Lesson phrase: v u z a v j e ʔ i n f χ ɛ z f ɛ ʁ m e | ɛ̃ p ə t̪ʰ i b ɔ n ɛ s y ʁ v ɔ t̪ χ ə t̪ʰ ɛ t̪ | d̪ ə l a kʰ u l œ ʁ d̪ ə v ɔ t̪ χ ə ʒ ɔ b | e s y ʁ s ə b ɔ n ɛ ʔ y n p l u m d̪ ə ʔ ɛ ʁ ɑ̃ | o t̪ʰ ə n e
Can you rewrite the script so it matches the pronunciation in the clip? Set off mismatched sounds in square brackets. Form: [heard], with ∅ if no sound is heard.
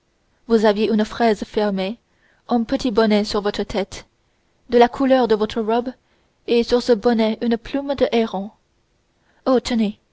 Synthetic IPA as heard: v u z a v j e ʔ [y] n f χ ɛ z f ɛ ʁ m e | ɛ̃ p ə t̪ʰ i b ɔ n ɛ s y ʁ v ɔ t̪ χ ə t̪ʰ ɛ t̪ | d̪ ə l a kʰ u l œ ʁ d̪ ə v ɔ t̪ χ ə [ʁ] ɔ b | e s y ʁ s ə b ɔ n ɛ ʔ y n p l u m d̪ ə ʔ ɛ ʁ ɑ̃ | o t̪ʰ ə n e

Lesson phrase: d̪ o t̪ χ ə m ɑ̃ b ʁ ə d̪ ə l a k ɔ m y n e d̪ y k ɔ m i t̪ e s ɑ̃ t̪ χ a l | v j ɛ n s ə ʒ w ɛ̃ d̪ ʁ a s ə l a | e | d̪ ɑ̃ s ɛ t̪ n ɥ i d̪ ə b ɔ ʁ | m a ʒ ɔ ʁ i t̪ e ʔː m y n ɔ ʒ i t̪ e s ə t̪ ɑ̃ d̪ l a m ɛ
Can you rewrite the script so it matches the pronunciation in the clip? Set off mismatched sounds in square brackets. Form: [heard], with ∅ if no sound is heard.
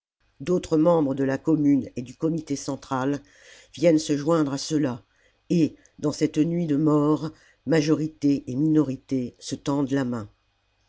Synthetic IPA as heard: d̪ o t̪ χ ə m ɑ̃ b ʁ ə d̪ ə l a k ɔ m y n e d̪ y k ɔ m i t̪ e s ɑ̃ t̪ χ a l | v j ɛ n s ə ʒ w ɛ̃ d̪ ʁ a s ə l a | e | d̪ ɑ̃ s ɛ t̪ n ɥ i d̪ ə [m] ɔ ʁ | m a ʒ ɔ ʁ i t̪ e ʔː m [i] n ɔ [ʁ] i t̪ e s ə t̪ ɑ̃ d̪ l a m [ɛ̃]

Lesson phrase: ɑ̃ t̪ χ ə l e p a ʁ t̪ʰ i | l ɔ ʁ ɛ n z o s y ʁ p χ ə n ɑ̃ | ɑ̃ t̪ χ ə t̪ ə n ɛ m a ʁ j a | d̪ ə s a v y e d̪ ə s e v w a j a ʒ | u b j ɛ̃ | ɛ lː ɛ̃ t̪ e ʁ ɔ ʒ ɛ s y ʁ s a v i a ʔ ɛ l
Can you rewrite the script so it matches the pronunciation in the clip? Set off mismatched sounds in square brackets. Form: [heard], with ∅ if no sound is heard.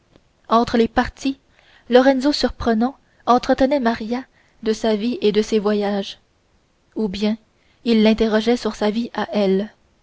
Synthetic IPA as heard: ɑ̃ t̪ χ ə l e p a ʁ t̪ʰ i | l ɔ ʁ ɛ n z o s y ʁ p χ ə n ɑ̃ | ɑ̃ t̪ χ ə t̪ ə n ɛ m a ʁ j a | d̪ ə s a v [i] e d̪ ə s e v w a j a ʒ | u b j ɛ̃ | [i] lː ɛ̃ t̪ e ʁ ɔ ʒ ɛ s y ʁ s a v i a ʔ ɛ l

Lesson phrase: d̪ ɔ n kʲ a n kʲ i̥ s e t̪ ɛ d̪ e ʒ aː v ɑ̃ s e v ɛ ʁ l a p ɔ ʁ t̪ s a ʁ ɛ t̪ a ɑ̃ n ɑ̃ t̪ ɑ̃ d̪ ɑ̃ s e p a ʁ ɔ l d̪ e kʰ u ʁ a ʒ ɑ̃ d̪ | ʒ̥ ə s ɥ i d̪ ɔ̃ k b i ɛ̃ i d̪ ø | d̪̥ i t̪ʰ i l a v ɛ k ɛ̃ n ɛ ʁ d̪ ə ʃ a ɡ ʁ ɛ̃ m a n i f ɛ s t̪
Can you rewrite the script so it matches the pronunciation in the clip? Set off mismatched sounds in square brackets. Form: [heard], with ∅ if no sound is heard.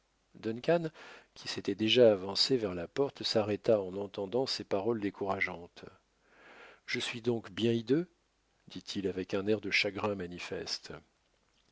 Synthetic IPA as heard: d̪ ɔ n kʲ a n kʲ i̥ s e t̪ ɛ d̪ e ʒ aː v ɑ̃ s e v ɛ ʁ l a p ɔ ʁ t̪ s a ʁ ɛ t̪ a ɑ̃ n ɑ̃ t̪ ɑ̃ d̪ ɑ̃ s e p a ʁ ɔ l d̪ e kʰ u ʁ a ʒ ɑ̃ [t̪] | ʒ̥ ə s ɥ i d̪ ɔ̃ k b [j] ɛ̃ i d̪ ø | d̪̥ i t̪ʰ i l a v ɛ k ɛ̃ n ɛ ʁ d̪ ə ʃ a ɡ ʁ ɛ̃ m a n i f ɛ s t̪

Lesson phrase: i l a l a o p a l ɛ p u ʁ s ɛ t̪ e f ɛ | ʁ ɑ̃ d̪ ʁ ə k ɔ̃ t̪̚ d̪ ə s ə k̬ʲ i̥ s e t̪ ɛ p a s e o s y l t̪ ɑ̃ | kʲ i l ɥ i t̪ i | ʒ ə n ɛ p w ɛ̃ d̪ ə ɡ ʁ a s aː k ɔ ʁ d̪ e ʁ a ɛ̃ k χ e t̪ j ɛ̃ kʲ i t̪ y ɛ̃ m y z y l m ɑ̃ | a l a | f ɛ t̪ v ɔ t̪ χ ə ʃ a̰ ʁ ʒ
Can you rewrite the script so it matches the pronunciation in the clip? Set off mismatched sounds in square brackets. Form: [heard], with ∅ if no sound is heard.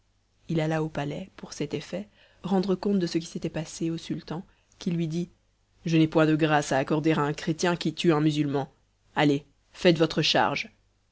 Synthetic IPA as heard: i l a l a o p a l ɛ p u ʁ s ɛ t̪ e f ɛ | ʁ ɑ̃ d̪ ʁ ə k ɔ̃ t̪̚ d̪ ə s ə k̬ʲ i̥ s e t̪ ɛ p a s e o s y l t̪ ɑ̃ | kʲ i l ɥ i [d̪] i | ʒ ə n ɛ p w ɛ̃ d̪ ə ɡ ʁ a s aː k ɔ ʁ d̪ e ʁ a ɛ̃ k χ e t̪ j ɛ̃ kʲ i t̪ y ɛ̃ m y z y l m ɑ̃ | a l [e] | f ɛ t̪ v ɔ t̪ χ ə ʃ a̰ ʁ ʒ

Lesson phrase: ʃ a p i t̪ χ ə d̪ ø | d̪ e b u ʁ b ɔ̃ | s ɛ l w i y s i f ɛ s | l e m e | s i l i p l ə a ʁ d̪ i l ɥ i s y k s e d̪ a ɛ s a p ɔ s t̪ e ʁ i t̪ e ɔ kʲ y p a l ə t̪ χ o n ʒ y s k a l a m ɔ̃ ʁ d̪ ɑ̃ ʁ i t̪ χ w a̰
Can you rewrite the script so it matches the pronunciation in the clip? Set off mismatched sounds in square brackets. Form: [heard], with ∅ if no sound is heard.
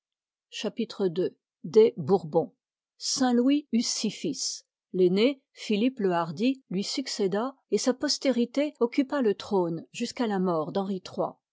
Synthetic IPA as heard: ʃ a p i t̪ χ ə d̪ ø | d̪ e b u ʁ b ɔ̃ | s [ɛ̃] l w i y s i f [i] s | l e [n] e | [f] i l i p l ə a ʁ d̪ i l ɥ i s y k s e d̪ a [e] s a p ɔ s t̪ e ʁ i t̪ e ɔ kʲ y p a l ə t̪ χ o n ʒ y s k a l a m [ɔ] ʁ d̪ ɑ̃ ʁ i t̪ χ w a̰

